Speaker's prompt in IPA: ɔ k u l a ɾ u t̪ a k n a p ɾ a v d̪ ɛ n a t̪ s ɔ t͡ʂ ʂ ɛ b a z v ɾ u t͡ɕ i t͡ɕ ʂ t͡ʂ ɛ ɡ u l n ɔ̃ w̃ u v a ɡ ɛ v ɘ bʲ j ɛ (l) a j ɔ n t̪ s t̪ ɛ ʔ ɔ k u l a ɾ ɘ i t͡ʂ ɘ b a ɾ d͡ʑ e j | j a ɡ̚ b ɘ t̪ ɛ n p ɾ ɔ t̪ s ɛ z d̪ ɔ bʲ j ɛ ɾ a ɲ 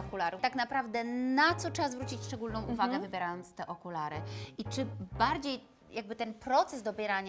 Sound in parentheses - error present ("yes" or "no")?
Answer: yes